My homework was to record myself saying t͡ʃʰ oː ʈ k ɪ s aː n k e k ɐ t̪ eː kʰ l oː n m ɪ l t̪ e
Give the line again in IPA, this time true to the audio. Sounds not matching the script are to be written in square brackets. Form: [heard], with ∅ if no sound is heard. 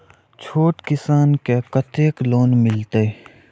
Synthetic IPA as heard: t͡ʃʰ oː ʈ k ɪ s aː n k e k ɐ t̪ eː [k] l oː n m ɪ l t̪ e